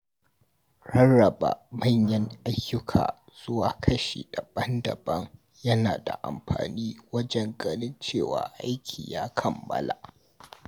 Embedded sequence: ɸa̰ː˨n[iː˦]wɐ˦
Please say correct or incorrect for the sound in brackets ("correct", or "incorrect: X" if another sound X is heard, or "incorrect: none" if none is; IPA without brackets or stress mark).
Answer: correct